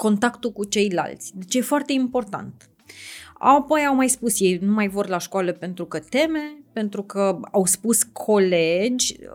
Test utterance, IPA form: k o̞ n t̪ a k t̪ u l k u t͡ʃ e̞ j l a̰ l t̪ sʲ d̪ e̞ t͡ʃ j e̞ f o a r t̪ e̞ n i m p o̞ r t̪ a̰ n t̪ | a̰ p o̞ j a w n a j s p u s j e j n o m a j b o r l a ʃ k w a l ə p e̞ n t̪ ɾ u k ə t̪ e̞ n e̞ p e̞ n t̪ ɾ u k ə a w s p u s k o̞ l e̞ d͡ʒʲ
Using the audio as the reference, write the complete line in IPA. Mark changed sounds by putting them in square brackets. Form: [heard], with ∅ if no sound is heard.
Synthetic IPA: k o̞ n t̪ a k t̪ u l k u t͡ʃ e̞ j l a̰ l t̪ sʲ d̪ e̞ t͡ʃ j e̞ f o a r t̪ e̞ [∅] i m p o̞ r t̪ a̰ n t̪ | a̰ p o̞ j a w [m] a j s p u s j e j n [u] m a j [v] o r l a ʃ k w a l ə p e̞ n t̪ ɾ u k ə t̪ e̞ [m] e̞ p e̞ n t̪ ɾ u k ə a w s p u s [kʰ] o̞ l e̞ d͡ʒʲ